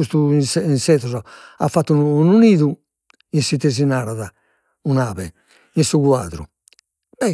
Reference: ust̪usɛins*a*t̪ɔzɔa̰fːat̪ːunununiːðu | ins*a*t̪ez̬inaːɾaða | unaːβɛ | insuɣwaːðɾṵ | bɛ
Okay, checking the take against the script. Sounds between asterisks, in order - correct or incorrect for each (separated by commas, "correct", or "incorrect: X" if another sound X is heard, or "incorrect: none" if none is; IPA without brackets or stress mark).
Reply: incorrect: ɛ, incorrect: i